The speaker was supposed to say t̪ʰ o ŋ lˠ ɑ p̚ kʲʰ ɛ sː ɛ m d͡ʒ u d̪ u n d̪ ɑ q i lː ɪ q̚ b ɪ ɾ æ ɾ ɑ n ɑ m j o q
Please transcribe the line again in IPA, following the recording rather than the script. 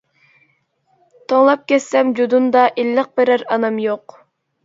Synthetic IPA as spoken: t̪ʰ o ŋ lˠ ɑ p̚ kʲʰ ɛ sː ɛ m d͡ʒ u d̪ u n d̪ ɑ ʔ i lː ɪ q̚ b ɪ ɾ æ ɾ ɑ n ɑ m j o q